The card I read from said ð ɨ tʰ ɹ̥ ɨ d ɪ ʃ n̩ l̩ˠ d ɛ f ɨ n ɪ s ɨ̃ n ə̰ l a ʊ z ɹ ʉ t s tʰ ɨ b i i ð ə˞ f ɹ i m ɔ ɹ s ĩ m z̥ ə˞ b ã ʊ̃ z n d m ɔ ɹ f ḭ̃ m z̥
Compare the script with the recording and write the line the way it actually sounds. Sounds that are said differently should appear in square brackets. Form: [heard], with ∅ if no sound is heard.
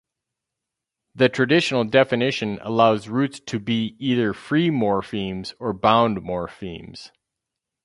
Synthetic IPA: ð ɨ tʰ ɹ̥ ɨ d ɪ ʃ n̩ l̩ˠ d ɛ f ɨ n ɪ [ʃ] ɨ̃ n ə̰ l a ʊ z ɹ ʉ t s tʰ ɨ b i i ð ə˞ f ɹ i m ɔ ɹ [f] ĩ m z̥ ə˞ b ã ʊ̃ [∅] n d m ɔ ɹ f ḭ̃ m z̥